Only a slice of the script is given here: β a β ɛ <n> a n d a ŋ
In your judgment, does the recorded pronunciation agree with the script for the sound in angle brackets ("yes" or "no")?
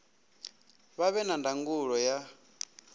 yes